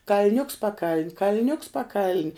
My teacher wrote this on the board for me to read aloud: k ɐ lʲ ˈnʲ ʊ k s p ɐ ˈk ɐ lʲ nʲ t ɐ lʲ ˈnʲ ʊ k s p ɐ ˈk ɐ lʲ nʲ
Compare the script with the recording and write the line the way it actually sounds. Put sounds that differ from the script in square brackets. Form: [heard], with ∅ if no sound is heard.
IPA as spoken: k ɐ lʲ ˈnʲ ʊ k s p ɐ ˈk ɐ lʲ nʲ [k] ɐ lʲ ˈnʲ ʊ k s p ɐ ˈk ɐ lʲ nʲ